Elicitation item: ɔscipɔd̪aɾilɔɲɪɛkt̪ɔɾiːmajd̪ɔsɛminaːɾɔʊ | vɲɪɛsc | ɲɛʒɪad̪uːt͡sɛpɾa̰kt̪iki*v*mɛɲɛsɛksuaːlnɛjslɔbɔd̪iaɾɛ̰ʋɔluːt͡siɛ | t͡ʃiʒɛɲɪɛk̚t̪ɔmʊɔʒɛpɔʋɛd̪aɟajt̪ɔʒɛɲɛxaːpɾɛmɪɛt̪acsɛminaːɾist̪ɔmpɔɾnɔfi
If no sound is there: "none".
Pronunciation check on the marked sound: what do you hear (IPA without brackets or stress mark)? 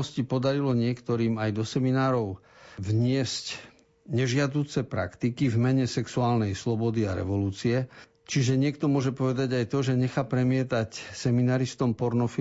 v